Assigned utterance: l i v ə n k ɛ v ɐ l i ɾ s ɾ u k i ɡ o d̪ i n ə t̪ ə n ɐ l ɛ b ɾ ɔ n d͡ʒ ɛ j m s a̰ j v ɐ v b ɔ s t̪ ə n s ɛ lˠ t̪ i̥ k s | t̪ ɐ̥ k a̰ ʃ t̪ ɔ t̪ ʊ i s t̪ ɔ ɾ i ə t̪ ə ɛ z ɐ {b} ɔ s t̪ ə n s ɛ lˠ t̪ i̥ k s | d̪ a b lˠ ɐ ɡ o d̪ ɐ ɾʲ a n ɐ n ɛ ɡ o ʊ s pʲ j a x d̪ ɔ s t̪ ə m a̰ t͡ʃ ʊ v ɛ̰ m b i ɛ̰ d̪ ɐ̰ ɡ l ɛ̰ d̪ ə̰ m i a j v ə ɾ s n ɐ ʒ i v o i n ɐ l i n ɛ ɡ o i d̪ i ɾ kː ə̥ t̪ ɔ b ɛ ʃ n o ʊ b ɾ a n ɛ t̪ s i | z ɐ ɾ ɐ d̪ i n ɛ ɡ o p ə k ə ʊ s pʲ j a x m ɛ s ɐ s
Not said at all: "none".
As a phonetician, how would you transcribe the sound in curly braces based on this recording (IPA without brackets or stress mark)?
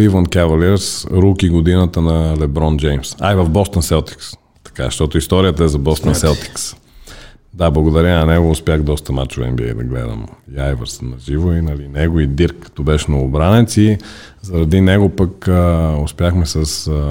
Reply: b